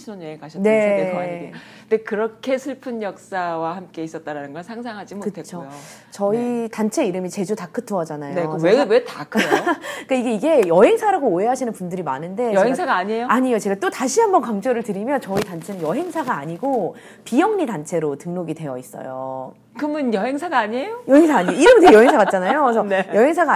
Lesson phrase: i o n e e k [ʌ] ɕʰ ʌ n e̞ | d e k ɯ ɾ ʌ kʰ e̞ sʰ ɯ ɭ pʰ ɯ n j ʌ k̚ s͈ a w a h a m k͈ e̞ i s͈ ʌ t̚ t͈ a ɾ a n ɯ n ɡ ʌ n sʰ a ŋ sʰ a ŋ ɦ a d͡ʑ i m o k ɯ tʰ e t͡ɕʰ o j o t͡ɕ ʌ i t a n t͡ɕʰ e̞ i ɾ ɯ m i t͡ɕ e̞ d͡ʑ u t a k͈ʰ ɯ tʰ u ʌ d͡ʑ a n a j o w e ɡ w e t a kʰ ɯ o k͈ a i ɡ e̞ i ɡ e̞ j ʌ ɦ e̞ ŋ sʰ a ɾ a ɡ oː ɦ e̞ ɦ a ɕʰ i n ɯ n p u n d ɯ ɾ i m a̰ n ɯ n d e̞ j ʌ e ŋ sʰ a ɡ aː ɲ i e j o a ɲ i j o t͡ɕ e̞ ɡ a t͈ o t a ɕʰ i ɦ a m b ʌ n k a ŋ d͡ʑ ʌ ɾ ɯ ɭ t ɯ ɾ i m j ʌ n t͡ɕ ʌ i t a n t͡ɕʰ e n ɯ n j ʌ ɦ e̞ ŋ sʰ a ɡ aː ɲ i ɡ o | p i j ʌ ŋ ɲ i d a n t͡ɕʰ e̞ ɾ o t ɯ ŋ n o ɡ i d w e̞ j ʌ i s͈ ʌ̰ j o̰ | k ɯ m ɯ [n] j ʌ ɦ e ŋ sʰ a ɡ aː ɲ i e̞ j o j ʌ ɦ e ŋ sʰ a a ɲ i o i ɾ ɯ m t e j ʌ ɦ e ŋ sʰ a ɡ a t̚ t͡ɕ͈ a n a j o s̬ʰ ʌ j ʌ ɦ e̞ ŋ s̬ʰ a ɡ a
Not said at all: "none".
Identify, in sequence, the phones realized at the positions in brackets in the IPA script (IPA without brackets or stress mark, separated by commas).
a, n